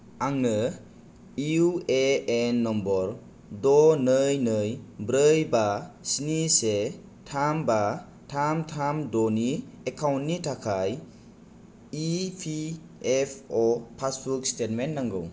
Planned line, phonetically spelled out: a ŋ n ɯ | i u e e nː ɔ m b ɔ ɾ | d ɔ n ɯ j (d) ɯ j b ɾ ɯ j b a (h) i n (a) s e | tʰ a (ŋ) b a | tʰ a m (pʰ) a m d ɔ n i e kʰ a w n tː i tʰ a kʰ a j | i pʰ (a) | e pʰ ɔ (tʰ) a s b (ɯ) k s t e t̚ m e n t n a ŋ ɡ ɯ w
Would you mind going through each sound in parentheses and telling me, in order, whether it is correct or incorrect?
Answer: incorrect: n, incorrect: s, incorrect: i, incorrect: m, incorrect: tʰ, incorrect: i, incorrect: pʰ, incorrect: u

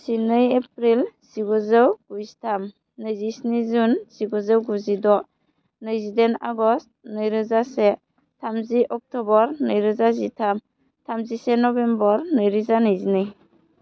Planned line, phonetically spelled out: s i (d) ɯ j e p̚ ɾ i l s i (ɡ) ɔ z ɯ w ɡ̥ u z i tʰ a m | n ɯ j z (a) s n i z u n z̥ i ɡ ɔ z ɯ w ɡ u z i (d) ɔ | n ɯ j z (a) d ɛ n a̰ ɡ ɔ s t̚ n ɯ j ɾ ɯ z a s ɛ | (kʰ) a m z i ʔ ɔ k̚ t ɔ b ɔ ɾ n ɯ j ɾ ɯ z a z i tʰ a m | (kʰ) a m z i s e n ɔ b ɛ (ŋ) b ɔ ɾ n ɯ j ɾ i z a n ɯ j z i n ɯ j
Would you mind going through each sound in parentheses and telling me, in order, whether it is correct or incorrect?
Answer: incorrect: n, correct, incorrect: i, correct, incorrect: i, incorrect: tʰ, incorrect: tʰ, incorrect: m

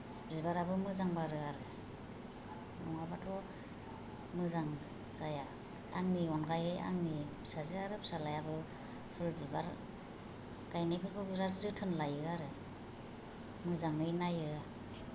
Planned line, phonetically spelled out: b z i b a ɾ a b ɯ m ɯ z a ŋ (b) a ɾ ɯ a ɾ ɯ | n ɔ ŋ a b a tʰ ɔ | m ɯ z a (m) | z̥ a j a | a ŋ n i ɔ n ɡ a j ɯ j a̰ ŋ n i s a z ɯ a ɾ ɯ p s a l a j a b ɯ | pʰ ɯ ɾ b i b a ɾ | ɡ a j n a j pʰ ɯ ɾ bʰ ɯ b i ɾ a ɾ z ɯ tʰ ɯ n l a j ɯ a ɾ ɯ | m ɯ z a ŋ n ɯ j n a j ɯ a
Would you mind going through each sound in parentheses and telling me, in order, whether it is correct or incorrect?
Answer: correct, incorrect: ŋ

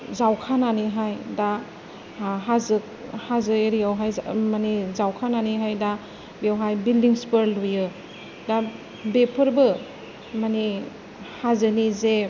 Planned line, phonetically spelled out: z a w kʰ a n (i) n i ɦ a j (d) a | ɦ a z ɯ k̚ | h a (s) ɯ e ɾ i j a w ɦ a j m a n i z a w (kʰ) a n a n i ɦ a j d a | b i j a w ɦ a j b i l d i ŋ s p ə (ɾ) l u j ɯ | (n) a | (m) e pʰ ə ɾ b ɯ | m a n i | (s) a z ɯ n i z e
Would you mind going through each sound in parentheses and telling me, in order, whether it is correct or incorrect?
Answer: incorrect: a, correct, incorrect: z, correct, correct, incorrect: d, incorrect: b, incorrect: h

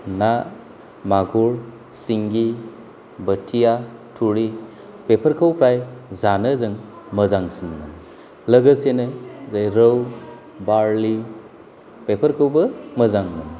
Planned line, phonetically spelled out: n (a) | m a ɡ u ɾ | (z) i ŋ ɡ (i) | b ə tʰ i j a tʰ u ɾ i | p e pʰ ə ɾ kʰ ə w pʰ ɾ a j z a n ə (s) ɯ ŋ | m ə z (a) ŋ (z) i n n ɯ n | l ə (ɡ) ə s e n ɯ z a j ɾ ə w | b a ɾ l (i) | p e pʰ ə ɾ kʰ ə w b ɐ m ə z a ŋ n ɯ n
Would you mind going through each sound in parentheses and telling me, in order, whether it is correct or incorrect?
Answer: correct, incorrect: s, correct, incorrect: z, correct, incorrect: s, correct, correct

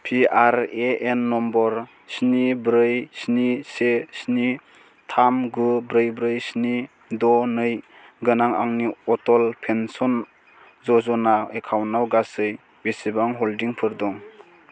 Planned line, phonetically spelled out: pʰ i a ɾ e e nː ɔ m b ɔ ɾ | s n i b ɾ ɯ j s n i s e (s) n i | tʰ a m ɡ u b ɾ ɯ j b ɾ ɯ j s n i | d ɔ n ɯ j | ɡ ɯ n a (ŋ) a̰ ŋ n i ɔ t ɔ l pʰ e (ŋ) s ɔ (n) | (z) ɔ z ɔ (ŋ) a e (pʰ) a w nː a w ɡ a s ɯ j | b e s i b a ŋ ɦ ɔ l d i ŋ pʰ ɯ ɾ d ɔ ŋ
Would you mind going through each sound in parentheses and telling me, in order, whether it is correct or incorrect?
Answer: correct, correct, incorrect: n, correct, correct, incorrect: n, incorrect: kʰ

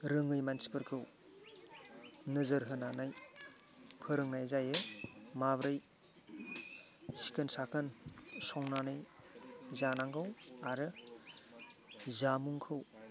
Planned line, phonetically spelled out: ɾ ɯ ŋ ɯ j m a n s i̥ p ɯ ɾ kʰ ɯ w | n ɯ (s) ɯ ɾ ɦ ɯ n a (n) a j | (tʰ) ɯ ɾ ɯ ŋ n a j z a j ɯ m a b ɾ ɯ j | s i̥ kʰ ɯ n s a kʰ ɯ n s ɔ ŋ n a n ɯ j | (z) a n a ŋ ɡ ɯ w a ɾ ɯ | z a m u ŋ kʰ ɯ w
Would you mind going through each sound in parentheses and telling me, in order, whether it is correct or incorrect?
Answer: incorrect: z, correct, incorrect: pʰ, correct

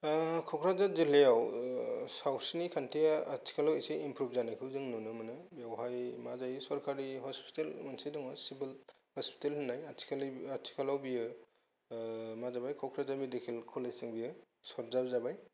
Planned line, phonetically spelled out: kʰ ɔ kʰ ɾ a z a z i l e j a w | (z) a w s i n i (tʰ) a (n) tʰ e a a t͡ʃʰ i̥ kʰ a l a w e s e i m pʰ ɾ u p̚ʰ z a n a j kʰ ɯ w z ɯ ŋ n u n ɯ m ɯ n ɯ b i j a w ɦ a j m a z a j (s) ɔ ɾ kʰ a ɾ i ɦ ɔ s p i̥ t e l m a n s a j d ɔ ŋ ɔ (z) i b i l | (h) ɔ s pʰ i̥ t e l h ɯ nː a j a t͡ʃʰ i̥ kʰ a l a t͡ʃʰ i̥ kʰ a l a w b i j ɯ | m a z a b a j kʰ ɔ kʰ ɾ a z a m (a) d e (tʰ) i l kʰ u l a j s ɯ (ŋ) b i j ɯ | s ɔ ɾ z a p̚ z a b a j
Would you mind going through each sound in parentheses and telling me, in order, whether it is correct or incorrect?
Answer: incorrect: s, incorrect: kʰ, correct, correct, incorrect: s, correct, incorrect: i, incorrect: kʰ, correct

